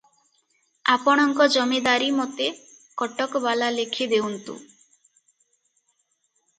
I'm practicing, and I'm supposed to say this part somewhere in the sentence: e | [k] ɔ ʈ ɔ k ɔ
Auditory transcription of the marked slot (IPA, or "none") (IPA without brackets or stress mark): k